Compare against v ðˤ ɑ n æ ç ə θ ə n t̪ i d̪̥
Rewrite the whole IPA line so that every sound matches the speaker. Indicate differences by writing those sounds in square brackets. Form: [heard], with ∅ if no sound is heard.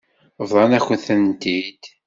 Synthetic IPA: v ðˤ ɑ n æ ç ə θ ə n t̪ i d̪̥